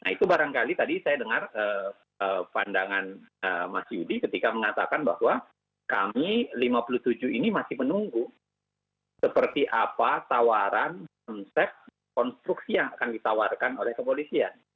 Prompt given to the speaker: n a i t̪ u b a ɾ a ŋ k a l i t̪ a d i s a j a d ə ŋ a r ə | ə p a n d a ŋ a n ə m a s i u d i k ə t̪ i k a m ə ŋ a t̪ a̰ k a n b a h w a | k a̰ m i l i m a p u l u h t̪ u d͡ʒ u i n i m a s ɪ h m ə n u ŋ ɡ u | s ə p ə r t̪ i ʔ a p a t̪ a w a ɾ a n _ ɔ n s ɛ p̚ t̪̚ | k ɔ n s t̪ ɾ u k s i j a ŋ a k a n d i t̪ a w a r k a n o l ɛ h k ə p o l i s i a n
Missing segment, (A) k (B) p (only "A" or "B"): A